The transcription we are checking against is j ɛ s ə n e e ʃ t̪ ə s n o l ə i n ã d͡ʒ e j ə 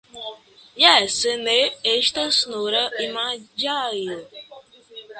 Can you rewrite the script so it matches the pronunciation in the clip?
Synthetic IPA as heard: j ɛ s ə n e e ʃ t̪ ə s n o ɾ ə i m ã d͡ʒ a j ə